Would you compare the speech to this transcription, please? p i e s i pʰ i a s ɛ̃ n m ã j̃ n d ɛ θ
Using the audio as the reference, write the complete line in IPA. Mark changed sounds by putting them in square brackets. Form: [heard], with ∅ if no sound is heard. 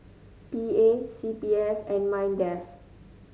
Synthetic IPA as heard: p i e s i [p] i [ɛ] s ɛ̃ n m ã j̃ n d ɛ [f]